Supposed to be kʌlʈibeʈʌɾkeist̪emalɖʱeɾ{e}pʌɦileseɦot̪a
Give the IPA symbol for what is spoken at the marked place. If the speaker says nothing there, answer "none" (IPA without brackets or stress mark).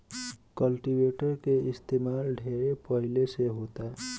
e